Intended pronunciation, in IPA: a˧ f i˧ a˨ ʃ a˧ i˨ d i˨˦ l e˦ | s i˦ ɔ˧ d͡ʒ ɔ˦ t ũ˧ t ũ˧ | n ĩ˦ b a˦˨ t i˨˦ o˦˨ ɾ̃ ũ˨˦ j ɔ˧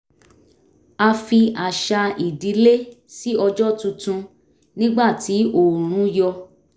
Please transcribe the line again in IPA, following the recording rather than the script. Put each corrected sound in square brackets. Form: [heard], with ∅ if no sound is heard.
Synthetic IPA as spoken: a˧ f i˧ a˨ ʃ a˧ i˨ d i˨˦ l e˦ | s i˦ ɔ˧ d͡ʒ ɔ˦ t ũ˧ t ũ˧ | n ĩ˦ [ɡ͡b] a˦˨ t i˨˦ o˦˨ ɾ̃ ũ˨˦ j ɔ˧